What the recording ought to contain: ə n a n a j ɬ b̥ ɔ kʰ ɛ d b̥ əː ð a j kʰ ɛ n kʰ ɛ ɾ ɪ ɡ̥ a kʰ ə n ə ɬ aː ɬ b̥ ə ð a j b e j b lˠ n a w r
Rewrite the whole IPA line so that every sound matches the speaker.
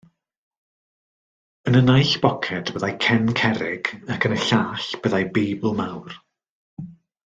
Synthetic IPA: ə n ə n a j ɬ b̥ ɔ kʰ ɛ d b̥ ə ð a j kʰ ɛ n kʰ ɛ ɾ ɪ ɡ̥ a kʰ ə n ə ɬ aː ɬ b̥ ə ð a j b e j b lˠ m a w r